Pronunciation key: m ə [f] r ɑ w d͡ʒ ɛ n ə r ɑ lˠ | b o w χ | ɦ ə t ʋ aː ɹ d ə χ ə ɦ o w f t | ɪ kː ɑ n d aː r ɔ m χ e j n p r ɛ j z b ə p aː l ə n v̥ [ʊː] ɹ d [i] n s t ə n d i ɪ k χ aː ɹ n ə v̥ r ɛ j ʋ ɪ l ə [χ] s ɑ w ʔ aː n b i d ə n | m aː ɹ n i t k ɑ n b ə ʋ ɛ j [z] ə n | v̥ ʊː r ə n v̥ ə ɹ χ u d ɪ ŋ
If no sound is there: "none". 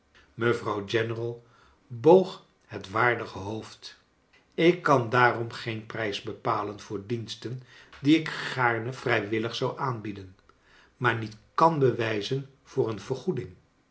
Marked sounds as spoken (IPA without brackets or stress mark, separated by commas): v, ʊː, i, χ, z